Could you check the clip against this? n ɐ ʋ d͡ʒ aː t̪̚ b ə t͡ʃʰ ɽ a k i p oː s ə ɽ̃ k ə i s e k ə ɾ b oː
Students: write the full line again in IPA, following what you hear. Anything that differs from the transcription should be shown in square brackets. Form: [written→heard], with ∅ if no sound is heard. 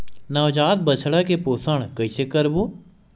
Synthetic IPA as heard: n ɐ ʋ d͡ʒ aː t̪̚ b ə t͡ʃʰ ɽ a k [i→e] p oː s ə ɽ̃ k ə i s e k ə ɾ b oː